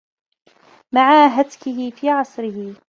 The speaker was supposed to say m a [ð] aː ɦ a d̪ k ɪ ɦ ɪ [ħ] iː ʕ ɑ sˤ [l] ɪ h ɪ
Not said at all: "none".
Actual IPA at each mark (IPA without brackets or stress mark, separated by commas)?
ʕ, f, ɾ